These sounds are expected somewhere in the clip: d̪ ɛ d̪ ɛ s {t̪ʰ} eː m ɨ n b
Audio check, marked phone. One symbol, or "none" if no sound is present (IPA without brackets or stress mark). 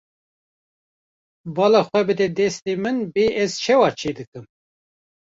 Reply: t̪